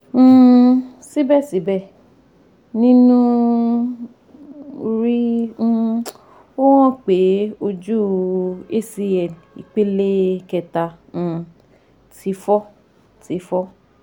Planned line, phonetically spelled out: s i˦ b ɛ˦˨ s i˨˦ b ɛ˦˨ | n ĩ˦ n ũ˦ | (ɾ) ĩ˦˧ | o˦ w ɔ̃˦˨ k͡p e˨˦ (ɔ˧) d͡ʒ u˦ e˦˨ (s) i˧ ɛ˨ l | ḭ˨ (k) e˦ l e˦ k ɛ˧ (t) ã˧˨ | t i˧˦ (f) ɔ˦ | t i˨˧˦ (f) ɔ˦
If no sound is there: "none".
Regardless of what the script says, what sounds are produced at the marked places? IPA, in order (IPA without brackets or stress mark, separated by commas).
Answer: ɾ, o˧, s, k͡p, t, f, f